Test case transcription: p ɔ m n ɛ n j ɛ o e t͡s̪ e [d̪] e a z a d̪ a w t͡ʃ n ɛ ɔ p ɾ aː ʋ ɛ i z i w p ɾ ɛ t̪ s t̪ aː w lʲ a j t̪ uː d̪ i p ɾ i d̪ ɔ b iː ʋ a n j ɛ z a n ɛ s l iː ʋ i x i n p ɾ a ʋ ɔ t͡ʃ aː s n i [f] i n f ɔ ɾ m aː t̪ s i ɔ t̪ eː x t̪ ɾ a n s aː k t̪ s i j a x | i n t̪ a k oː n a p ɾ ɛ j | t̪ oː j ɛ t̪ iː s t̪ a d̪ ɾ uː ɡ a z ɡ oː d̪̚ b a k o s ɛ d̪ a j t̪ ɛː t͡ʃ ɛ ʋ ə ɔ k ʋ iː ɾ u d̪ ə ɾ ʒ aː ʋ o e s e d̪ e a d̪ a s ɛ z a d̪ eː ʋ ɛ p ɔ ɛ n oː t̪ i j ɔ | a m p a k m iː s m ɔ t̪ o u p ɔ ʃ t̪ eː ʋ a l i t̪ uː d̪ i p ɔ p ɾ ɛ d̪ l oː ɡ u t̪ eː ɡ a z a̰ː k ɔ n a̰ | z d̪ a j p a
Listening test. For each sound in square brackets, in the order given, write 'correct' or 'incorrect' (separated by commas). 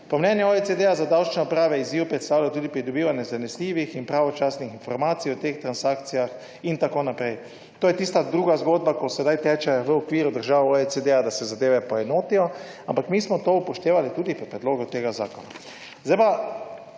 correct, incorrect